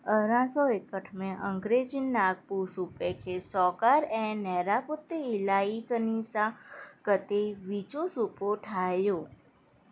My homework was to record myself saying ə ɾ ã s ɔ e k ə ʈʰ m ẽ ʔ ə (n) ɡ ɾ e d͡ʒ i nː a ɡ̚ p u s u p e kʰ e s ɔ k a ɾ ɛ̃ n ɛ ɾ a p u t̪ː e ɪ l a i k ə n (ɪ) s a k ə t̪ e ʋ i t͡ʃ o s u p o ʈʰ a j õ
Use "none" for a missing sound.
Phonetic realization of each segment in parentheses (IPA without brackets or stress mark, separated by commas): ŋ, i